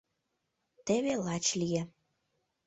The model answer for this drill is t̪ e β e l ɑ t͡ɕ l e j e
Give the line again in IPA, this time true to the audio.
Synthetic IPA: t̪ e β e l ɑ t͡ɕ l i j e